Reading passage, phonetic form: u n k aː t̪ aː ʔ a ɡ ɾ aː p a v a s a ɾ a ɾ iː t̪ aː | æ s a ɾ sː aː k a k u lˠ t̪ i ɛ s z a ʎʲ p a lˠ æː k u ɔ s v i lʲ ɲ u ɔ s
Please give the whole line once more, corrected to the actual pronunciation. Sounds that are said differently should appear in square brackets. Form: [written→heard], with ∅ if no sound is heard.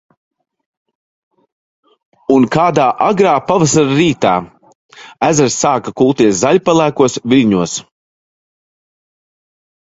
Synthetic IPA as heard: u n k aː [t̪→d̪] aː ʔ a ɡ ɾ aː p a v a s a ɾ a ɾ iː t̪ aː | æ [s→z] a ɾ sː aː k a k u lˠ t̪ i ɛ s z a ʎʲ p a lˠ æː k u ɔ s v i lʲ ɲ u ɔ s